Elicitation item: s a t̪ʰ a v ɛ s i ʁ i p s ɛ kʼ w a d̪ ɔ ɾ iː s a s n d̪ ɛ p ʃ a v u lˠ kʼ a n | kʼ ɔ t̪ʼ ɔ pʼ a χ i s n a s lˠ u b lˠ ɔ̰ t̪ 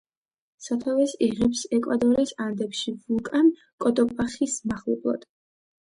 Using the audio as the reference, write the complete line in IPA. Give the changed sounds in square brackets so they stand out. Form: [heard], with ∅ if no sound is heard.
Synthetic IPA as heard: s a t̪ʰ a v ɛ s i ʁ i p s ɛ kʼ w a d̪ ɔ ɾ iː s a [∅] n d̪ ɛ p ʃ [i] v u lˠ kʼ a n | kʼ ɔ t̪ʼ ɔ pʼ a χ i s [m] a [χ] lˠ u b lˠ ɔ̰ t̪